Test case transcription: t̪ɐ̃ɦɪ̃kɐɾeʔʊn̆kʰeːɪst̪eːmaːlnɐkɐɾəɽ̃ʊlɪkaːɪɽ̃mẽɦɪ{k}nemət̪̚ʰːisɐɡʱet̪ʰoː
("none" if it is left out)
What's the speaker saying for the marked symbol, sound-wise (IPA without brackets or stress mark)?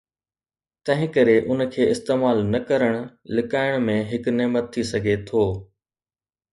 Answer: k